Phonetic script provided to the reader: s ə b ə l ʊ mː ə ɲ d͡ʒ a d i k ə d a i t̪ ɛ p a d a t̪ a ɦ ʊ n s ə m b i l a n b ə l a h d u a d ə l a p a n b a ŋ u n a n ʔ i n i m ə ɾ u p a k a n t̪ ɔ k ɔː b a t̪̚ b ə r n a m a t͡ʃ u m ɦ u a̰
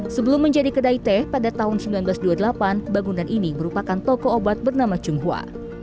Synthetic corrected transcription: s ə b ə l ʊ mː ə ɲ d͡ʒ a d i k ə d a i t̪ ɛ p a d a t̪ a ɦ ʊ n s ə m b i l a n b ə l a s d u a d ə l a p a n b a ŋ u n a n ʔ i n i m ə ɾ u p a k a n t̪ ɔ k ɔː b a t̪̚ b ə r n a m a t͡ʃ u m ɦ u a̰